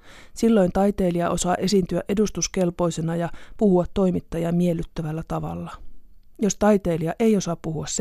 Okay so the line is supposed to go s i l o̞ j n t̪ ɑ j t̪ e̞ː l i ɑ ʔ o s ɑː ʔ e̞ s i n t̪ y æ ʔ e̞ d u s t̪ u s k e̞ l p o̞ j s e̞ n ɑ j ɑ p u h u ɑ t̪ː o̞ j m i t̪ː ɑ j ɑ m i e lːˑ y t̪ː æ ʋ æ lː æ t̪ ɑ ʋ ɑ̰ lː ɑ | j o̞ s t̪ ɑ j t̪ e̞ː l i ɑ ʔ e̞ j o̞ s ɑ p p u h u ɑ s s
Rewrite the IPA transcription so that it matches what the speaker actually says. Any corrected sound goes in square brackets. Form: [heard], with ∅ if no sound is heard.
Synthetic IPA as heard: s i [lː] o̞ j n t̪ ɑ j t̪ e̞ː l i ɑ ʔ o s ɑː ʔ e̞ s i n t̪ y æ ʔ e̞ d u s t̪ u s k e̞ l p o̞ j s e̞ n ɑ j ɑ p u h u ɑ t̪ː o̞ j m i t̪ː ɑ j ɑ m i e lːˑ y t̪ː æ ʋ æ lː æ t̪ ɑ ʋ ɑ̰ lː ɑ | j o̞ s t̪ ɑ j t̪ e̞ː l i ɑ ʔ e̞ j o̞ s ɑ p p u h u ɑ s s